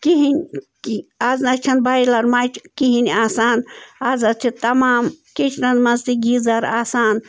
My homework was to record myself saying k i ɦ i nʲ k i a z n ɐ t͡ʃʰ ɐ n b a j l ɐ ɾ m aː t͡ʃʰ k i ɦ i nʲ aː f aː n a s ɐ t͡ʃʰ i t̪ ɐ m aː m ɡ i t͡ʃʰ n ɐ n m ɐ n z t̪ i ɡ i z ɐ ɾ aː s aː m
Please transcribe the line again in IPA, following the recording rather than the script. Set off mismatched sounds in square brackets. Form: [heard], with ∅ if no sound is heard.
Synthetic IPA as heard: k i ɦ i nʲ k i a z n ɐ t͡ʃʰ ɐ n b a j l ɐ ɾ m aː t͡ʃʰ k i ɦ i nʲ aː [s] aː n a [z] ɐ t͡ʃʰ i t̪ ɐ m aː m [k] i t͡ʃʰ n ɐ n m ɐ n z t̪ i ɡ i z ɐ ɾ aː s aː [n]